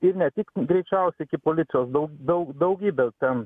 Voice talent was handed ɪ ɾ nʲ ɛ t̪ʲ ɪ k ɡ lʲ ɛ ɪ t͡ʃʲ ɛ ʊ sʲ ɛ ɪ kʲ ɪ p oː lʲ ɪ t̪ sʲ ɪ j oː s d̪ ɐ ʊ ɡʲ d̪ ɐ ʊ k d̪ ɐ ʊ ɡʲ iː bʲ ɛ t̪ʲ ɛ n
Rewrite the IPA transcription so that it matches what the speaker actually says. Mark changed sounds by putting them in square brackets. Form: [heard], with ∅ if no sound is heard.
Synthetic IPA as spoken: ɪ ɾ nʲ ɛ t̪ʲ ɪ k ɡ [ɾʲ] ɛ ɪ t͡ʃʲ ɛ ʊ sʲ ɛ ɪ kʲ ɪ p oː lʲ ɪ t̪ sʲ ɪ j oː s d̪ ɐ ʊ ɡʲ d̪ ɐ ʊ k d̪ ɐ ʊ ɡʲ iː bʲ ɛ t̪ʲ ɛ n